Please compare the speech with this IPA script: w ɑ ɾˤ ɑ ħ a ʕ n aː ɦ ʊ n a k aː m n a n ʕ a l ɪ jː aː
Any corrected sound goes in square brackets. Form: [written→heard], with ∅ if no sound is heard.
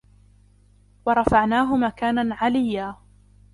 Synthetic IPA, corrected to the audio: w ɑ ɾˤ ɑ [ħ→f] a ʕ n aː ɦ ʊ [n→m] a k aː [m→∅] n a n ʕ a l ɪ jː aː